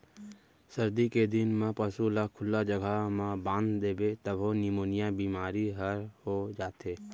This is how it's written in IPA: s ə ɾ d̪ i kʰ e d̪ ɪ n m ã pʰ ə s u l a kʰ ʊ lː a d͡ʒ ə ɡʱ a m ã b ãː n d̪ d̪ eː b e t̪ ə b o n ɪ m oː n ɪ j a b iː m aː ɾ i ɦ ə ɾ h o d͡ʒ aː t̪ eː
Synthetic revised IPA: s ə ɾ d̪ i k e d̪ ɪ n m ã p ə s u l a kʰ ʊ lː a d͡ʒ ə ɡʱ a m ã b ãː n d̪ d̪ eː b e t̪ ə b o n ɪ m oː n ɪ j a b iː m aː ɾ i ɦ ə ɾ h o d͡ʒ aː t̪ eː